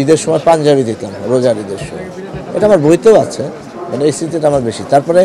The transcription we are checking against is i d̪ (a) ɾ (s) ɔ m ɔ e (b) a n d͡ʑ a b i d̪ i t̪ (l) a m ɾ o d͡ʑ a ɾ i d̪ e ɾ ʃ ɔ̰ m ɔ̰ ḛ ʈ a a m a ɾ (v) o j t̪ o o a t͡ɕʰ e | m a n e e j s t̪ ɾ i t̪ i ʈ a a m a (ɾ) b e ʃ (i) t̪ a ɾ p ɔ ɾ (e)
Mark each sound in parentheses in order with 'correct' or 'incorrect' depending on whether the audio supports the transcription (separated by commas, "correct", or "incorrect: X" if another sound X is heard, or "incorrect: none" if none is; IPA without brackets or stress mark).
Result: incorrect: e, incorrect: ʃ, incorrect: p, correct, incorrect: b, correct, correct, correct